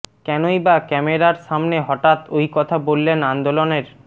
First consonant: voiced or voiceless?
voiceless